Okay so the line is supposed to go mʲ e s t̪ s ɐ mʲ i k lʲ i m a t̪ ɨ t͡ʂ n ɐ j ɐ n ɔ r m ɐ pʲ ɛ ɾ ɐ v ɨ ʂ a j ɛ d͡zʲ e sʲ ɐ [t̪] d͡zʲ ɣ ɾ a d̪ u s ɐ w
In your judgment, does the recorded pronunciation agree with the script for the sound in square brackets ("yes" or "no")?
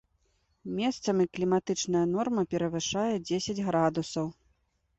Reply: no